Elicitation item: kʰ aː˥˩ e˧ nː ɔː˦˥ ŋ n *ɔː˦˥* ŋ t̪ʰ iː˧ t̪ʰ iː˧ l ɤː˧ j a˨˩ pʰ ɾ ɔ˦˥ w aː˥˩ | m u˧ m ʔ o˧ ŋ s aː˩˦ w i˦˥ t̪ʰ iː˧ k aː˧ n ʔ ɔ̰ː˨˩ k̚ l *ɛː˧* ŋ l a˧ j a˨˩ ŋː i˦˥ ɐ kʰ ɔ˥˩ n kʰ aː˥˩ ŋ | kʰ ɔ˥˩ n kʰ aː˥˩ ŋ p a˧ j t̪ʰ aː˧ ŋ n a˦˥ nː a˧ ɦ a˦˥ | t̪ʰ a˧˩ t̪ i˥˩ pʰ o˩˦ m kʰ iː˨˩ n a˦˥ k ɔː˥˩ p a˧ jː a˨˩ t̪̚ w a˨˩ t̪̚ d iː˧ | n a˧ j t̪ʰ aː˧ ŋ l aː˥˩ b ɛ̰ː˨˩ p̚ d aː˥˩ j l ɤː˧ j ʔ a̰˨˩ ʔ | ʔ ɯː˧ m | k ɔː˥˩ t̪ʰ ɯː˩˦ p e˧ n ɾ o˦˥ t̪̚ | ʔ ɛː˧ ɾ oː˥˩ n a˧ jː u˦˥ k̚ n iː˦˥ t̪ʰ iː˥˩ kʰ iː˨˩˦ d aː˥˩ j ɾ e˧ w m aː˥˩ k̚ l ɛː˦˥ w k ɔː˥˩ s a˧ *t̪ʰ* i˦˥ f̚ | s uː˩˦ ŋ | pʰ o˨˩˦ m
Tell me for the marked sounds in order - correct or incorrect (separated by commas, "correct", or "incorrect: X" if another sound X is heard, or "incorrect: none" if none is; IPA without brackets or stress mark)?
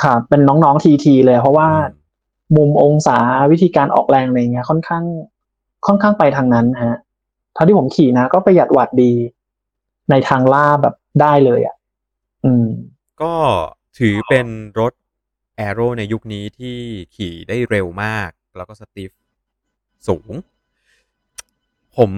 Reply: correct, correct, incorrect: t̪